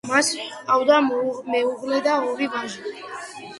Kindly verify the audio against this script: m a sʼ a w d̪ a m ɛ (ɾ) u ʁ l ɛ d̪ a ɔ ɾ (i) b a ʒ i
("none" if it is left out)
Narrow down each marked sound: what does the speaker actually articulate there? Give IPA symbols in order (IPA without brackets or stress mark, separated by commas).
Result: none, i